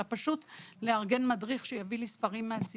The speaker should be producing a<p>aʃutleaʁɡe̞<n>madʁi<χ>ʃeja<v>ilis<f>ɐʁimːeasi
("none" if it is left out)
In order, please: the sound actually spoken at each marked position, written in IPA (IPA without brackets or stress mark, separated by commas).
p, n, χ, v, f